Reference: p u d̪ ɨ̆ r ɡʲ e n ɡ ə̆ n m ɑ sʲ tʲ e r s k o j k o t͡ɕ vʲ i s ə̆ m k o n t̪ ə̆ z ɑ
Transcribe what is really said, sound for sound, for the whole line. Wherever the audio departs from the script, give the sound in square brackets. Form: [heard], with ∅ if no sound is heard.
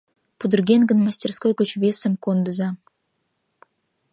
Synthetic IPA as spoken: p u d̪ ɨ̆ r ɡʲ e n ɡ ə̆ n m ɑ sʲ tʲ e r s k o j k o t͡ɕ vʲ [e] s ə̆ m k o n [d̪] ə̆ z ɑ